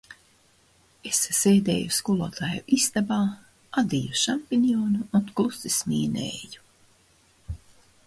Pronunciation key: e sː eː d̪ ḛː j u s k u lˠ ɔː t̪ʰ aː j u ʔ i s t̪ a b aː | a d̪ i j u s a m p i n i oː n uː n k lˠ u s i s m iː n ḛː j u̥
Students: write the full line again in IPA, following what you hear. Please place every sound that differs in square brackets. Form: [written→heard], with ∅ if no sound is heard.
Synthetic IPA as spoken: e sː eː d̪ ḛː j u s k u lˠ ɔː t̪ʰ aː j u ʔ i s t̪ a b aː | a d̪ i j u [s→ʃ] a m p i n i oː n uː n k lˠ u s i s m iː n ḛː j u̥